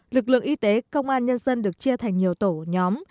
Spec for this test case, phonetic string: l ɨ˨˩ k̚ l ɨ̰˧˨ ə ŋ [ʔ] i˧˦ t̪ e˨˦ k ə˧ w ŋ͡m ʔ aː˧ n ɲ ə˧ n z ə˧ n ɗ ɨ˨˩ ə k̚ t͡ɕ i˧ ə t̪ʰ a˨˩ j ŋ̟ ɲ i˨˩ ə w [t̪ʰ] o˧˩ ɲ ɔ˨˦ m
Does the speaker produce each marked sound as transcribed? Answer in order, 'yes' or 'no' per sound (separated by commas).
yes, no